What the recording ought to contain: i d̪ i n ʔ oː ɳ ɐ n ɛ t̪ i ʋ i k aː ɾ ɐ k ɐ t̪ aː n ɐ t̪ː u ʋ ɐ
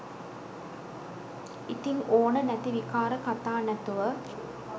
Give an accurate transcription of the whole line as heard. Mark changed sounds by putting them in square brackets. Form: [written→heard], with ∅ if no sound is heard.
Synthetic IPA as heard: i [d̪→t̪] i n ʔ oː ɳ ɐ n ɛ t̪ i ʋ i k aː ɾ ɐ k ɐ t̪ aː n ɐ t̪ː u ʋ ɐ